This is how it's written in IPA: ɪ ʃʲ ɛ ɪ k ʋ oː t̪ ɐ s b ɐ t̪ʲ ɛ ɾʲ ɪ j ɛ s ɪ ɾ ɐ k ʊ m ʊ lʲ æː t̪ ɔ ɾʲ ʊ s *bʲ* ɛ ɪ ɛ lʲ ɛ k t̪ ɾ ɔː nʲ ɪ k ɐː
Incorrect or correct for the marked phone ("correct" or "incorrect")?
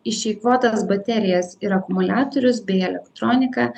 correct